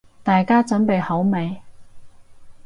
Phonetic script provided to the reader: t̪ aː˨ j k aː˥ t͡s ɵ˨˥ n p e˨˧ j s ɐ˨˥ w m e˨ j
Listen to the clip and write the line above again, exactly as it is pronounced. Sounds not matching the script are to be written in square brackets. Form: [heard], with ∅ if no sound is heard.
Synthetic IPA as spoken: t̪ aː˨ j k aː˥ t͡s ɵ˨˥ n p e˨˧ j [h] ɐ˨˥ w m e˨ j